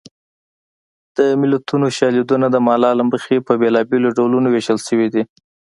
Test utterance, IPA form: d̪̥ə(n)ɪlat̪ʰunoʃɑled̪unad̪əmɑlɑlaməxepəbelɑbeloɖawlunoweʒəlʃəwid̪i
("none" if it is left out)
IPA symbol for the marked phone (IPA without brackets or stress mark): m